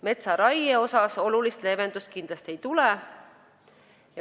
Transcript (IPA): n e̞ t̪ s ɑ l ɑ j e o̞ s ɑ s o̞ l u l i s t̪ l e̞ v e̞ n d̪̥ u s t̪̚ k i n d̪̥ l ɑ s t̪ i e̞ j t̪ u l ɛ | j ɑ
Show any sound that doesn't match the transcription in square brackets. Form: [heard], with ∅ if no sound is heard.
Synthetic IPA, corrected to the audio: [m] e̞ t̪ s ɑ [ɾ] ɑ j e o̞ s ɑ s o̞ l u l i s t̪ l e̞ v e̞ n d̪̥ u s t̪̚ k i n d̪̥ l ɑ s t̪ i e̞ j t̪ u l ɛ | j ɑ